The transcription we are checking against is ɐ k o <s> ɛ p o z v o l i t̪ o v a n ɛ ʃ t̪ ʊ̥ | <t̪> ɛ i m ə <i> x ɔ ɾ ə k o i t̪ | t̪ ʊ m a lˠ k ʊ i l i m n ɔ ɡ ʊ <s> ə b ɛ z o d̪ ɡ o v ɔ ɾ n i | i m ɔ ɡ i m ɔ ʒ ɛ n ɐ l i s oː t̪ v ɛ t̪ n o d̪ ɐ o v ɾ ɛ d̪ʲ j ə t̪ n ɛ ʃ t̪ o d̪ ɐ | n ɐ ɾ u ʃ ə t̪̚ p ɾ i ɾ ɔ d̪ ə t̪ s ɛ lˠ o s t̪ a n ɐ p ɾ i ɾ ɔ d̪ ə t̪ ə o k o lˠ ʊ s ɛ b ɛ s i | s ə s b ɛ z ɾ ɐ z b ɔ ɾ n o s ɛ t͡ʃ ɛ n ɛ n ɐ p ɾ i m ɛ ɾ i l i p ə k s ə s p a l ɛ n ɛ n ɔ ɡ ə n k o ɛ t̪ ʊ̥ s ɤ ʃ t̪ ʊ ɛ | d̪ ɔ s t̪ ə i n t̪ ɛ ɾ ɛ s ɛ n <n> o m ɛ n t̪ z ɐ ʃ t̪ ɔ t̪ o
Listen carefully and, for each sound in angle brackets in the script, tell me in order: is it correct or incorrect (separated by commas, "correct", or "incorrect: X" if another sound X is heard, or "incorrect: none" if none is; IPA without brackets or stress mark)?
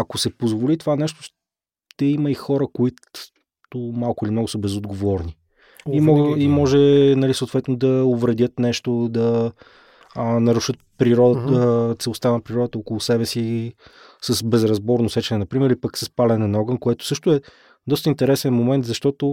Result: correct, correct, correct, correct, incorrect: m